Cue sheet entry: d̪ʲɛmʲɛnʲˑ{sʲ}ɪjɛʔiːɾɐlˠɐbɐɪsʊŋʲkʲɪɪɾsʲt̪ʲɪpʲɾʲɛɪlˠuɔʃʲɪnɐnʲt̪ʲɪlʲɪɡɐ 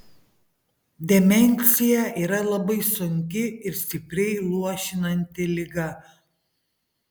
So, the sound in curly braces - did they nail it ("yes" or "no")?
yes